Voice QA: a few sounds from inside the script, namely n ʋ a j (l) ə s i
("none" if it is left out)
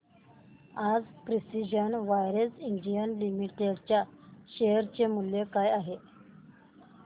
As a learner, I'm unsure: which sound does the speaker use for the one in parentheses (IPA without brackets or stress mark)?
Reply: ɾ